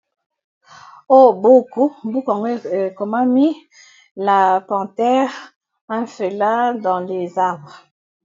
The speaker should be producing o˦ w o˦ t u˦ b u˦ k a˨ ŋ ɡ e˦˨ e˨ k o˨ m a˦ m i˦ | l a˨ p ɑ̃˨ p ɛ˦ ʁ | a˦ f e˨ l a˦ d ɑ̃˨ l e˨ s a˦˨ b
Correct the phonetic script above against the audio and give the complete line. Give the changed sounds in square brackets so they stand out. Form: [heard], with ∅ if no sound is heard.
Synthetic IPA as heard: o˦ [b] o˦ [k] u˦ b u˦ k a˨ ŋ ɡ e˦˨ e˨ k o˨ m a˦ m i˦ | l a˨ p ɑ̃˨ [t] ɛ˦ ʁ | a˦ f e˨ l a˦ d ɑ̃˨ l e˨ [z] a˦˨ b